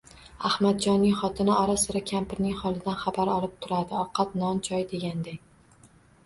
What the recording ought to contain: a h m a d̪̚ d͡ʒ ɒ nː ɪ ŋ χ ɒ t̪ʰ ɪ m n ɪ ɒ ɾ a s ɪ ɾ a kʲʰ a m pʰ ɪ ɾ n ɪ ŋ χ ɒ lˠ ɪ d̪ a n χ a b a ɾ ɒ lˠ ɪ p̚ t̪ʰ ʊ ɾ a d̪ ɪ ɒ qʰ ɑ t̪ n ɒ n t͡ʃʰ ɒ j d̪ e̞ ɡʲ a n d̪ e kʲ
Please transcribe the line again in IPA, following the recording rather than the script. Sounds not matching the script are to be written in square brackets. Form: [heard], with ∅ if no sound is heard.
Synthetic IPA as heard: a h m a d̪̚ d͡ʒ ɒ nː ɪ ŋ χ ɒ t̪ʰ ɪ [∅] n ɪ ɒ ɾ a s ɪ ɾ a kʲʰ a m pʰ ɪ ɾ n ɪ ŋ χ ɒ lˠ ɪ d̪ a n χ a b a ɾ ɒ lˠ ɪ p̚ t̪ʰ ʊ ɾ a d̪ ɪ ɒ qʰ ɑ t̪ n ɒ n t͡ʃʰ ɒ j d̪ e̞ ɡʲ a n d̪ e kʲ